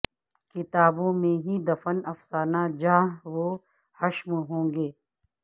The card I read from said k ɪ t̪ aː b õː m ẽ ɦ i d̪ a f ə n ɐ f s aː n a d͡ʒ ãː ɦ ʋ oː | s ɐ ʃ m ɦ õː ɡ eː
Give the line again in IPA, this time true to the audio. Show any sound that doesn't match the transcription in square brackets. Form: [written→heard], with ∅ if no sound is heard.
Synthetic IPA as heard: k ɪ t̪ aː b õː m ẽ ɦ i d̪ [a→ɐ] f ə n ɐ f s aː n a d͡ʒ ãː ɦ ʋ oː | [s→h] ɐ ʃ m ɦ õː ɡ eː